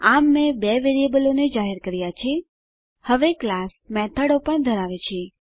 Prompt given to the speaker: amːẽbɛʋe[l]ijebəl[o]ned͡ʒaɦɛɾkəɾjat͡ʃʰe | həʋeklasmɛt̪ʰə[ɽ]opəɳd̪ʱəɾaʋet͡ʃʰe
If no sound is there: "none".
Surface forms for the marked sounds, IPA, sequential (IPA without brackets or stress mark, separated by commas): ɾ, o, ɽ